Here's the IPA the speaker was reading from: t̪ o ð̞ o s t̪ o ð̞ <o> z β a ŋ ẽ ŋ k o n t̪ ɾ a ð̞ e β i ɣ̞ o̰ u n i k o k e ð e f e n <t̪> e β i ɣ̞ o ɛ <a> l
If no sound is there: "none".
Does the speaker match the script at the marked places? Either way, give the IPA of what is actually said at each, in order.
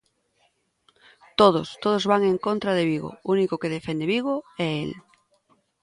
o, d̪, e

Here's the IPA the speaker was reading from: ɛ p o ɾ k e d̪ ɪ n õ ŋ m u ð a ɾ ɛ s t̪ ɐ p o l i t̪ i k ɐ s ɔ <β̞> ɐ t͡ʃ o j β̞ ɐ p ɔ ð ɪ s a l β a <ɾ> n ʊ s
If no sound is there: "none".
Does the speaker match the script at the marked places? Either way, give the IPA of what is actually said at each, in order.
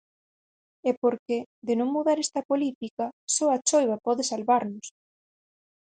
none, ɾ

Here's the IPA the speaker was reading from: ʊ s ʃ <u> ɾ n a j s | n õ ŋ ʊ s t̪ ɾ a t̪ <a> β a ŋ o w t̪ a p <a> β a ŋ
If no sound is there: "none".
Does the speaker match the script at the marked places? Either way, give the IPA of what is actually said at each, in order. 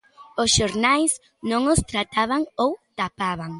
o, a, a

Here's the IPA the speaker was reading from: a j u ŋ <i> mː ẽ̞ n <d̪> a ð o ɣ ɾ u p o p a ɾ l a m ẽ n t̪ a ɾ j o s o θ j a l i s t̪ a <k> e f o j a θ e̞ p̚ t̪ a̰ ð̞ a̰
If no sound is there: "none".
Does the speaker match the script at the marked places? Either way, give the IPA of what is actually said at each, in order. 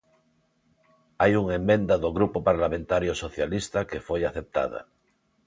e, d̪, k

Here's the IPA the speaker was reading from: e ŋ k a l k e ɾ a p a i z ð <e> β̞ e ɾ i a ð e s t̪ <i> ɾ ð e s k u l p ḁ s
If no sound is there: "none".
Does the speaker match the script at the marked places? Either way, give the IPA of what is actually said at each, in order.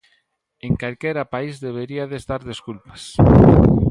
e, a

